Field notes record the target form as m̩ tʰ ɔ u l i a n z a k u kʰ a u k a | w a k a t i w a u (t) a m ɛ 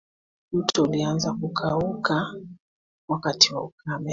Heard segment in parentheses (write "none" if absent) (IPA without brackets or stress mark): k